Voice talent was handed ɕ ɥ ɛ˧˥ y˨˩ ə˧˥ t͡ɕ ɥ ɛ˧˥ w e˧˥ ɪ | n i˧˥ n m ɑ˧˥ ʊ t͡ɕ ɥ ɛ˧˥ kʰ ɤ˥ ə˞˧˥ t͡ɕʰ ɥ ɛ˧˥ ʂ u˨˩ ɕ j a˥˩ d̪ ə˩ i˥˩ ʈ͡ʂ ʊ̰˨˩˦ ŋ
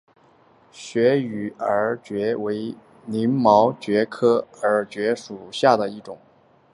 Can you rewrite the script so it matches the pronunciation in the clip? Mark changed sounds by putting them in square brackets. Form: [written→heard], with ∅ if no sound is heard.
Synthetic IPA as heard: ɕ ɥ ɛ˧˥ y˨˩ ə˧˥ t͡ɕ ɥ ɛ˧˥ w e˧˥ ɪ | n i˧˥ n m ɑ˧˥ ʊ t͡ɕ ɥ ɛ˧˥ kʰ ɤ˥ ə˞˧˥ [t͡ɕʰ→t͡ɕ] ɥ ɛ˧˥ ʂ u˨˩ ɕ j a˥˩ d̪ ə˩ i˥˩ ʈ͡ʂ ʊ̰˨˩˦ ŋ